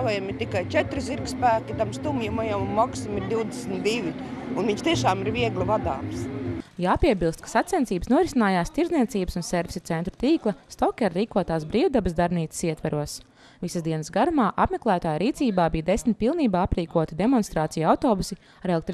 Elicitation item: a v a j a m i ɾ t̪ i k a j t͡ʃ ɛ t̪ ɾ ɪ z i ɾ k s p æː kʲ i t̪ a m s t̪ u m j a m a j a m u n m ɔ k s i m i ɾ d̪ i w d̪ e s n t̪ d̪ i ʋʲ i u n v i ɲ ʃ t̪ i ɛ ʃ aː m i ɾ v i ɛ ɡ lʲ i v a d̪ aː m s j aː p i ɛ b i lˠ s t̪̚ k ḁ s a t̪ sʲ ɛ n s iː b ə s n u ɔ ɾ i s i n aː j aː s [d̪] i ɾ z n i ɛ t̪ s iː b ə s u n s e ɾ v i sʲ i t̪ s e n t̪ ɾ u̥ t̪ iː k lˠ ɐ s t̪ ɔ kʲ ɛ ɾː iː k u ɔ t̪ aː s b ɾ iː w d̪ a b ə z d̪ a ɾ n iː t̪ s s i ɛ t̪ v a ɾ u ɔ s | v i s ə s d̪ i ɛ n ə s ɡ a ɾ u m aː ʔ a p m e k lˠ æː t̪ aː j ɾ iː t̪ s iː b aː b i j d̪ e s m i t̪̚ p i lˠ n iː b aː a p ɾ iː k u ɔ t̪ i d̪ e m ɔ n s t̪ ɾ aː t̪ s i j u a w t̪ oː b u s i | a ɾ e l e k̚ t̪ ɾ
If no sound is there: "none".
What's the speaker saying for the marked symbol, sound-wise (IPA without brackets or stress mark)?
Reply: t̪